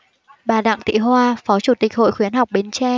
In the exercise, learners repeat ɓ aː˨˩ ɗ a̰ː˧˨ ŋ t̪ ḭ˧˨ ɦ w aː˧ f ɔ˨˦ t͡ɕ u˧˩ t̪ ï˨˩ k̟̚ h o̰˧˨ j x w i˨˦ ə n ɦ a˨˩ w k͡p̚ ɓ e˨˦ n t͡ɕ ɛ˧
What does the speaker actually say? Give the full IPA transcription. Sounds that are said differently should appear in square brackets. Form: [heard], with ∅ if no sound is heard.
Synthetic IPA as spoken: ɓ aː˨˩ ɗ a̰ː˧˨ ŋ t̪ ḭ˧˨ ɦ w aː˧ f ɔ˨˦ t͡ɕ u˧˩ t̪ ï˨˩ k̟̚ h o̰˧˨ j x w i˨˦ ə n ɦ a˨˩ w k͡p̚ ɓ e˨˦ n t͡ɕ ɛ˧